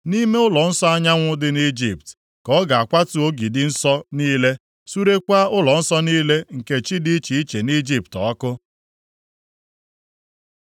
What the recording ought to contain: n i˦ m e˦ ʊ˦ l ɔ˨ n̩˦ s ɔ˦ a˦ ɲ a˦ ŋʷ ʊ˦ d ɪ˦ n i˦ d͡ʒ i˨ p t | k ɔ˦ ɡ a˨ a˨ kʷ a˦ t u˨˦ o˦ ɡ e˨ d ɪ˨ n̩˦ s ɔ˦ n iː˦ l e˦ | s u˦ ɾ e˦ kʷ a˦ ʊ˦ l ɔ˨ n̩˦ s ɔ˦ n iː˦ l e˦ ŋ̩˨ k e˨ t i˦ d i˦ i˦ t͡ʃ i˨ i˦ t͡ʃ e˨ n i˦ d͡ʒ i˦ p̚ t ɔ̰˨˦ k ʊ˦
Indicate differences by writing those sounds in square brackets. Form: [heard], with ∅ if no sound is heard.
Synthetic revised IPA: n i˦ m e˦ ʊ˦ l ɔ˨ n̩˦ s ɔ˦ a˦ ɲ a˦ ŋʷ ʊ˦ d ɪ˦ n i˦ d͡ʒ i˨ p t | k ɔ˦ ɡ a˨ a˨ kʷ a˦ t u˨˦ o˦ ɡ [i˨] d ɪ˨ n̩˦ s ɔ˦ n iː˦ l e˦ | s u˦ ɾ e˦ kʷ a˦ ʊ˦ l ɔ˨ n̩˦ s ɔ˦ n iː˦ l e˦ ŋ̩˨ k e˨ [t͡ʃ] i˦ d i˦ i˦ t͡ʃ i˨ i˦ t͡ʃ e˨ n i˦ d͡ʒ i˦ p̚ t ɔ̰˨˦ k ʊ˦